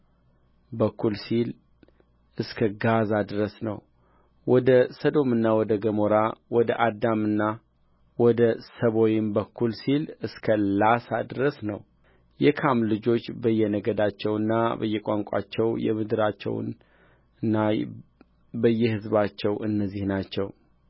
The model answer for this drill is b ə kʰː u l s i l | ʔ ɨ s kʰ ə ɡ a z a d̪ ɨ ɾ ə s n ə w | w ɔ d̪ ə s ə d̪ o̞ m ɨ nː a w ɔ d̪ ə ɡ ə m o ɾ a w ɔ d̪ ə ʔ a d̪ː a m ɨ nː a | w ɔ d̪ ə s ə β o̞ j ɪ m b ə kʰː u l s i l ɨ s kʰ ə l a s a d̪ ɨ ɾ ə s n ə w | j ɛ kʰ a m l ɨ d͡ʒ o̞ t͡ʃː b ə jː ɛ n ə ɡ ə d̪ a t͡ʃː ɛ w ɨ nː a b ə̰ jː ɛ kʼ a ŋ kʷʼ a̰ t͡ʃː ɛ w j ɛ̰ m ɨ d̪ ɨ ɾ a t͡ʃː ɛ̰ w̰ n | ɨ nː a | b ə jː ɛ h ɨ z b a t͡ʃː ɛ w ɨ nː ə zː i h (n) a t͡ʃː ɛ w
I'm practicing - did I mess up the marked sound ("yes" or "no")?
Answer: no